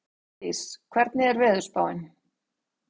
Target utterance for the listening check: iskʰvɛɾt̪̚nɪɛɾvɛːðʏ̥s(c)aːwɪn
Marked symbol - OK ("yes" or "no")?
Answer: no